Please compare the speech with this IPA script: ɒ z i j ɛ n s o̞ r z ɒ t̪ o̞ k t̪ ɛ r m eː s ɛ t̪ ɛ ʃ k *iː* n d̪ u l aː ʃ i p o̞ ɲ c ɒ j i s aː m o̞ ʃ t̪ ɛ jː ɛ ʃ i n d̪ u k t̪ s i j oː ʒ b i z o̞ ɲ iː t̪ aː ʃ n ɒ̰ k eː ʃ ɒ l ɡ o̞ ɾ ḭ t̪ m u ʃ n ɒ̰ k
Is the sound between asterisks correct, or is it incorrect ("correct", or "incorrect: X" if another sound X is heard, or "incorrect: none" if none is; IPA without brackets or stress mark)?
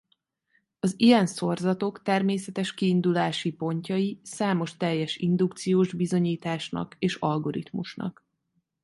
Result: correct